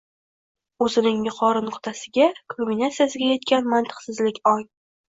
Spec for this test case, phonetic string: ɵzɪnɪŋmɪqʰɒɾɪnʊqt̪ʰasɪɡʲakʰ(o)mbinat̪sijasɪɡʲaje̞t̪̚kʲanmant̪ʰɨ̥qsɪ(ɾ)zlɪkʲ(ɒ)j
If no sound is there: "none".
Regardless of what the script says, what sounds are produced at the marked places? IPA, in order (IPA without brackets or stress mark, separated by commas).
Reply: o, none, ɒ